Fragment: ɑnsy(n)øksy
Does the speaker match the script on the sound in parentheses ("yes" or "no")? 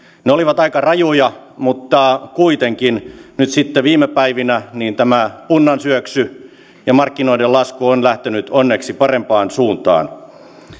no